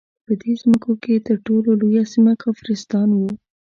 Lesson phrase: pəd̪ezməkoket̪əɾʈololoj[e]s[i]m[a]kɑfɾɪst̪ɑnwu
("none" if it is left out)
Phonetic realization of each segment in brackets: a, i, a

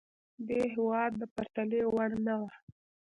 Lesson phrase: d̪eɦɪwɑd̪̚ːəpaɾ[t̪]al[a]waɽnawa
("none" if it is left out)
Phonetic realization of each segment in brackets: t̪, e

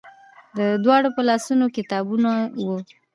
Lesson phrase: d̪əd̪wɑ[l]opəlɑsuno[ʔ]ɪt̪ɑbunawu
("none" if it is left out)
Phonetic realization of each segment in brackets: ɽ, k

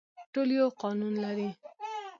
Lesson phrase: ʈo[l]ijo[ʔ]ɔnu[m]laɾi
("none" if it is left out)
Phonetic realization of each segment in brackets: l, q, n

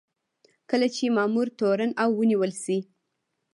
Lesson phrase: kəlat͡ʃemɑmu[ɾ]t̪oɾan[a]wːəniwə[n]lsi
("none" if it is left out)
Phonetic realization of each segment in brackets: ɾ, a, none

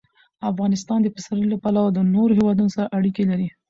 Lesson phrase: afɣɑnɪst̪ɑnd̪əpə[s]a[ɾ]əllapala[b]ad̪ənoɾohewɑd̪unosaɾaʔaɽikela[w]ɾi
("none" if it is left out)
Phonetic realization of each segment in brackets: s, ɾ, w, none

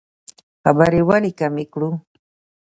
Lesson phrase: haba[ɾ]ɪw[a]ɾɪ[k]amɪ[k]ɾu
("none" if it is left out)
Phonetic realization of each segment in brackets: ɾ, a, k, k

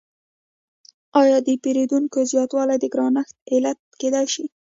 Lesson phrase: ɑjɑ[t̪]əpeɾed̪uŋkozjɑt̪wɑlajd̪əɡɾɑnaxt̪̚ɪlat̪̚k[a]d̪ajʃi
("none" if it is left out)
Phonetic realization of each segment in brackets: d̪, e

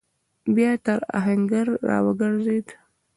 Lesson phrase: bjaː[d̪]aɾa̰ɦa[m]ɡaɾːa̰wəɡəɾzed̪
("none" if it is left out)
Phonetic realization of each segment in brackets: t̪, ŋ

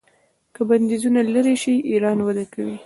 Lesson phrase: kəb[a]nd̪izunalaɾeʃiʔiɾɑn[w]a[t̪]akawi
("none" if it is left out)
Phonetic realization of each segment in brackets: a, w, d̪

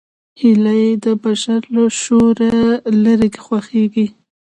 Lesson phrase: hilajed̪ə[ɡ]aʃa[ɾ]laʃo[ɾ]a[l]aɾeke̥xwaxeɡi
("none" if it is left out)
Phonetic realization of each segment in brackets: b, ɾ, ɾ, l

